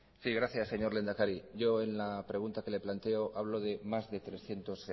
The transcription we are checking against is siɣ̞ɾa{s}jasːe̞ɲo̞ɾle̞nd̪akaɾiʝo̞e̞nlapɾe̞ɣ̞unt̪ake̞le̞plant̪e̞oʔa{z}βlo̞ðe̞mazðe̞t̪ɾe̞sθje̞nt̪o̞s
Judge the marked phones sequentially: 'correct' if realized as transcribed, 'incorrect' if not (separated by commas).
incorrect, incorrect